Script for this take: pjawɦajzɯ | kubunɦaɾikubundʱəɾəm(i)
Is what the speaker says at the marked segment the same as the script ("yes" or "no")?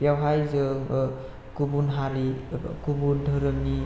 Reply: yes